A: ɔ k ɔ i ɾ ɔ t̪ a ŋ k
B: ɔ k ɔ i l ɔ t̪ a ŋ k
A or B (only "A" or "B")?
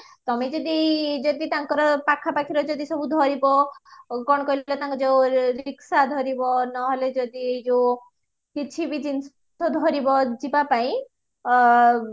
B